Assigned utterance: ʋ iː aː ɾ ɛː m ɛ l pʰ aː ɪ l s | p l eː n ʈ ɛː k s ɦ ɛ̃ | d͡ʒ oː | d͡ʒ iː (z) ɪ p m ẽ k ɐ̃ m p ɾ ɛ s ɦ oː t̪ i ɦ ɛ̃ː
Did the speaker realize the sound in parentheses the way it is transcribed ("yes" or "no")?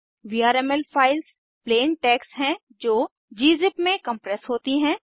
yes